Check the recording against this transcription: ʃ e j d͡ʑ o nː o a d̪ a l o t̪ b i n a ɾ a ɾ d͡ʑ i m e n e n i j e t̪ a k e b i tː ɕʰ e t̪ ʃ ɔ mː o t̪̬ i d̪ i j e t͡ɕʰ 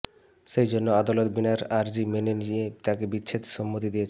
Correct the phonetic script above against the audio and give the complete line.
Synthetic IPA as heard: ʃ e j d͡ʑ o nː o a d̪ a l o t̪ b i n a ɾ a ɾ d͡ʑ i m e n e n i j e t̪ a k e b i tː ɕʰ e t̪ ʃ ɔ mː o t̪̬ i d̪ i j e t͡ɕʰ